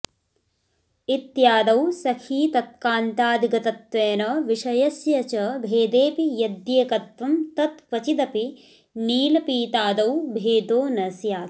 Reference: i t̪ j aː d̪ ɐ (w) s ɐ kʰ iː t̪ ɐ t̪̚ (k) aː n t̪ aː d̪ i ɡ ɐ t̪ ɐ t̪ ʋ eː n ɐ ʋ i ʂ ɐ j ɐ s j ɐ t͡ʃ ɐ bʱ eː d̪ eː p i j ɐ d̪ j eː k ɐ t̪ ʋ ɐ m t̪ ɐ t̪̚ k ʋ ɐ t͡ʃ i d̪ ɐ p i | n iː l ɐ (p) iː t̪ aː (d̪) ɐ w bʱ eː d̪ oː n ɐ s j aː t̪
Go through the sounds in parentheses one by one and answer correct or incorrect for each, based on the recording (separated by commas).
correct, correct, correct, correct